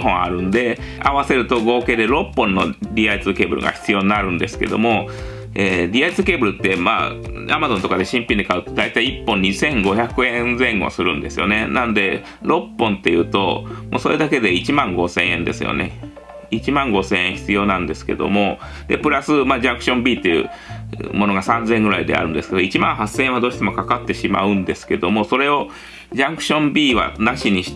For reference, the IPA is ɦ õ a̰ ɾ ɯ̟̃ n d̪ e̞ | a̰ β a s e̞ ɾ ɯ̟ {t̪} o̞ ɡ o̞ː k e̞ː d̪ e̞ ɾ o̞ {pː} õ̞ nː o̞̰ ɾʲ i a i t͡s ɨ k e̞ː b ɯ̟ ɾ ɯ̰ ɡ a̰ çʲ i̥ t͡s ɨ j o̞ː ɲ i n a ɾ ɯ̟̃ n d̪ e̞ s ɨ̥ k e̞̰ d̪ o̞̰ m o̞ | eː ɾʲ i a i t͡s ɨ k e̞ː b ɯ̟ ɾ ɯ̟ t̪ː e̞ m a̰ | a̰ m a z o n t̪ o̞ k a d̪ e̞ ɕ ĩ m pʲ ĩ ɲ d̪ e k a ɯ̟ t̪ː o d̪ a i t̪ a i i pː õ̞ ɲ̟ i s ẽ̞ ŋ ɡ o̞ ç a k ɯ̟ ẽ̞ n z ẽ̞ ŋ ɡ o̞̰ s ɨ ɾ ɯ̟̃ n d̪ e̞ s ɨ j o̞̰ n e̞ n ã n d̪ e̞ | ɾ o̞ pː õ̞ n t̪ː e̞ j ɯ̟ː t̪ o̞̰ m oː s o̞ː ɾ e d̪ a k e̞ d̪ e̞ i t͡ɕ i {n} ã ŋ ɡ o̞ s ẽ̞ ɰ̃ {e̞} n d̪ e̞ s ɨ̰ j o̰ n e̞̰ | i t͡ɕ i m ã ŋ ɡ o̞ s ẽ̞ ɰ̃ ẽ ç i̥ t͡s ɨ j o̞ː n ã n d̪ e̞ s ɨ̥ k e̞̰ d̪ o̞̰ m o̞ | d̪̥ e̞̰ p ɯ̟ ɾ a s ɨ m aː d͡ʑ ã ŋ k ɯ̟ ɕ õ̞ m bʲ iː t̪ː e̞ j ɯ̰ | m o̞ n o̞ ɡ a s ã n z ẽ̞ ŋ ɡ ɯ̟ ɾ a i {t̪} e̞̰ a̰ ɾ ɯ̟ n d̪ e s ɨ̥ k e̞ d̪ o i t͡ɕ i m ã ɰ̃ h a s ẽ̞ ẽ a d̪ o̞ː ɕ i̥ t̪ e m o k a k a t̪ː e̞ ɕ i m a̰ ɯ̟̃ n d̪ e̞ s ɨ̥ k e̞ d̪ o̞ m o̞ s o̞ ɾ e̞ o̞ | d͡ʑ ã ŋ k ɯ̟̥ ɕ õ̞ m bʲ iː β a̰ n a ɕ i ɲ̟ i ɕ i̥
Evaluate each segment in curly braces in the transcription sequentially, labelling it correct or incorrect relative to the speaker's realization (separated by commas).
correct, correct, incorrect, incorrect, incorrect